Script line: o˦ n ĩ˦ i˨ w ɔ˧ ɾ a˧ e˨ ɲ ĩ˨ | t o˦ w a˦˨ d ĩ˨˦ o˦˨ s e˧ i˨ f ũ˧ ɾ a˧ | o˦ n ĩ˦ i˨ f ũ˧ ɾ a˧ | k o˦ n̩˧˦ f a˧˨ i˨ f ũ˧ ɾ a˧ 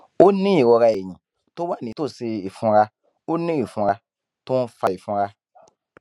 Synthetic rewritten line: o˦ n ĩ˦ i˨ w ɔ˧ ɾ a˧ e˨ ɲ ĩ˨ | t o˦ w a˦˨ n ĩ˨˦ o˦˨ s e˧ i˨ f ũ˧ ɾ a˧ | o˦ n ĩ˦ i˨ f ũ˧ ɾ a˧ | t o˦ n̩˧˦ f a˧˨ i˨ f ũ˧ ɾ a˧